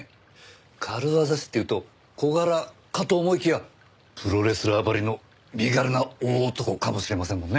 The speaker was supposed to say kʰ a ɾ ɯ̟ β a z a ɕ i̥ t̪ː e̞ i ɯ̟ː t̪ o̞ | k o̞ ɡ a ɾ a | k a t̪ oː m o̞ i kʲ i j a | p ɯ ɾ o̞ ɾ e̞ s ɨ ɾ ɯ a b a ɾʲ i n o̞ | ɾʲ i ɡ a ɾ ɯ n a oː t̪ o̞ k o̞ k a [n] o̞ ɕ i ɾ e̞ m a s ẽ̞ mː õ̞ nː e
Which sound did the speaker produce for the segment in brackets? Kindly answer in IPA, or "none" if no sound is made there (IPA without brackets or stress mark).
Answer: m